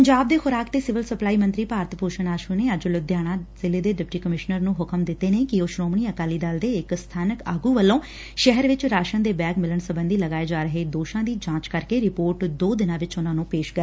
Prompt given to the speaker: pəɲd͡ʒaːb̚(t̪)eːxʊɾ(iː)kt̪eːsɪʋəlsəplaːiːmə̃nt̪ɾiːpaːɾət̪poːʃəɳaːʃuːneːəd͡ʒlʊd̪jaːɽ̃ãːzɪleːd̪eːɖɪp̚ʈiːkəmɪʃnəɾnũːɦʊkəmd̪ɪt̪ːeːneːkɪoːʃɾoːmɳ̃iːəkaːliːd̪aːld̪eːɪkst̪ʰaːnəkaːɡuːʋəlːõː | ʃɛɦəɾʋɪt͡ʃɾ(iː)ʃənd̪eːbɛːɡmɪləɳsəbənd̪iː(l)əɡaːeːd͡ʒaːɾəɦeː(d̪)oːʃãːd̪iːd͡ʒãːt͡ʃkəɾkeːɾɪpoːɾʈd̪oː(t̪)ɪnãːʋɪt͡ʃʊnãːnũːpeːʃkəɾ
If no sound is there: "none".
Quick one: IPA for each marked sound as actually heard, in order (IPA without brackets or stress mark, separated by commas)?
d̪, aː, aː, l, d̪, d̪